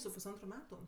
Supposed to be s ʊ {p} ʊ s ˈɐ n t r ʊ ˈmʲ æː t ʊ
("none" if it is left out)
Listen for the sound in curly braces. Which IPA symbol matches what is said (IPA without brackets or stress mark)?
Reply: p